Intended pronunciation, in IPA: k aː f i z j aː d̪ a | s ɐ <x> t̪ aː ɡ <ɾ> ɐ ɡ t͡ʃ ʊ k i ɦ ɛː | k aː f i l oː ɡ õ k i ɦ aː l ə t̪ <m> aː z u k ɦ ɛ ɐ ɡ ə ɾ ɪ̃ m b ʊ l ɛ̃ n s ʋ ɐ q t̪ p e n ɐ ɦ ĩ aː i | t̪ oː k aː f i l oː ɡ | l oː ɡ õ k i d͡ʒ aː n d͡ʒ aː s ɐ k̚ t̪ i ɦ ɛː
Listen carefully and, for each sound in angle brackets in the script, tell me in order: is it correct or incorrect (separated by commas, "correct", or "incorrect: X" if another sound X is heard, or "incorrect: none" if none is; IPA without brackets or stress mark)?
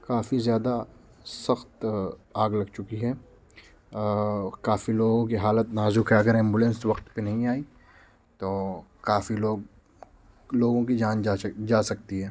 correct, incorrect: l, incorrect: n